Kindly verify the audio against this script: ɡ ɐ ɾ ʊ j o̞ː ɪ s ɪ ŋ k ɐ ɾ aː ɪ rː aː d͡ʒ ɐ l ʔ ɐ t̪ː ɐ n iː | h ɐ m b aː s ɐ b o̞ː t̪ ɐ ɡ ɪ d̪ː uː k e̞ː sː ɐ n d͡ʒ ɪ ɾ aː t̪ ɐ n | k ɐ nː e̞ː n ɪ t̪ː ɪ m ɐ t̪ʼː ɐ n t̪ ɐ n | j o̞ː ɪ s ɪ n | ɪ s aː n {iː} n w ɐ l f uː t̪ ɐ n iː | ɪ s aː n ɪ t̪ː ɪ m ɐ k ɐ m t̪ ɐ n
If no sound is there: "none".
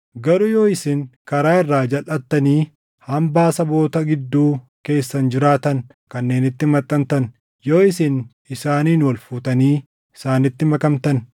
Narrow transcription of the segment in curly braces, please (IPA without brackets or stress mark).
iː